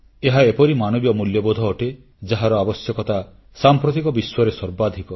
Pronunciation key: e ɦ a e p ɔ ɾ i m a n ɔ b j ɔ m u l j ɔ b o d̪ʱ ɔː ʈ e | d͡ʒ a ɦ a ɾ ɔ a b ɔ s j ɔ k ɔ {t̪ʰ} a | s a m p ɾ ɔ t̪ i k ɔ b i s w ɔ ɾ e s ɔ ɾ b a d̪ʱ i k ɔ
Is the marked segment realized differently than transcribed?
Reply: yes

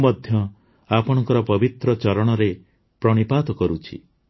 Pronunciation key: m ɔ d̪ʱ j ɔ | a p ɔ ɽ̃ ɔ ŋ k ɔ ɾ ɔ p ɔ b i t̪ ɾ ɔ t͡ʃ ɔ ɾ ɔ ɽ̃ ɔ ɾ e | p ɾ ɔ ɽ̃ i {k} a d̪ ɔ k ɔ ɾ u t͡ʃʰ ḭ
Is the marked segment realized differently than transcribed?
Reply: yes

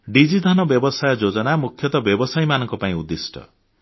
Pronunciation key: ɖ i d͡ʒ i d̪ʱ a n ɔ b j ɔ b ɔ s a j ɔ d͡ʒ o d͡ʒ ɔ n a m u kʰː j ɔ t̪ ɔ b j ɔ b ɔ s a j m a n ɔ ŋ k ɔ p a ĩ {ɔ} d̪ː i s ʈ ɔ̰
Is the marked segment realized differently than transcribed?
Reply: yes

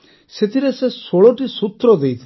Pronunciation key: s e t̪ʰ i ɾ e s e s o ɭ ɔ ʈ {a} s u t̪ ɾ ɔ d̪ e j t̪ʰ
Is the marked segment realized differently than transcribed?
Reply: yes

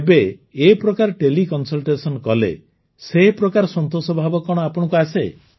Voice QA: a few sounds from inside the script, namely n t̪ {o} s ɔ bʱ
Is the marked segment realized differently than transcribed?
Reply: no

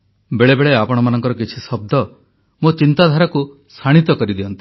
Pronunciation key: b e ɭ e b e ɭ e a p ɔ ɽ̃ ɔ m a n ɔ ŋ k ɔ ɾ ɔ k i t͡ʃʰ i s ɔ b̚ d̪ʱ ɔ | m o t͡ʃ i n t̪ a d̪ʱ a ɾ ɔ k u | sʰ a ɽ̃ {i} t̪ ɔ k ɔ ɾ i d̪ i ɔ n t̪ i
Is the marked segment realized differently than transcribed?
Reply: no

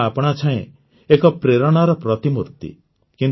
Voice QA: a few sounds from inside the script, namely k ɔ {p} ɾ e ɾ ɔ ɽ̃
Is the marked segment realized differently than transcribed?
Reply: no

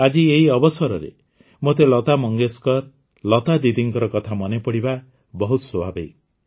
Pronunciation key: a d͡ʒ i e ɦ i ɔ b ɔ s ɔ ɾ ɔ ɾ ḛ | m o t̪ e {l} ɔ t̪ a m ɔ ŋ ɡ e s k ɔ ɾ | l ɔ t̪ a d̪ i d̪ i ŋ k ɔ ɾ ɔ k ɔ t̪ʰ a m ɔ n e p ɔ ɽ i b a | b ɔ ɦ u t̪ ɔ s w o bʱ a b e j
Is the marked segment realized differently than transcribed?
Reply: no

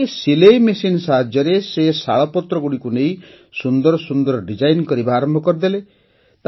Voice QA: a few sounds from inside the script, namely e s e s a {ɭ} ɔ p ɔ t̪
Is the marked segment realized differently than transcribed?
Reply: no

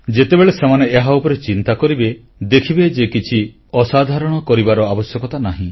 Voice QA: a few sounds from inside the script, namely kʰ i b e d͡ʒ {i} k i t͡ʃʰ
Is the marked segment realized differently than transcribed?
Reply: yes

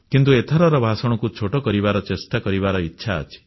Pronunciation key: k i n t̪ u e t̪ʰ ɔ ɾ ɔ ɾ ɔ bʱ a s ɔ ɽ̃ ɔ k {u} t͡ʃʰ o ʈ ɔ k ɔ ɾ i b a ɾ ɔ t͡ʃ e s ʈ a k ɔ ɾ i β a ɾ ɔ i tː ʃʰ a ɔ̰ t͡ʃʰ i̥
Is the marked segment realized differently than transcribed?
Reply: no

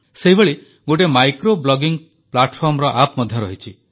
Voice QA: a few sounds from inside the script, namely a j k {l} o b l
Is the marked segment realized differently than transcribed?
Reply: yes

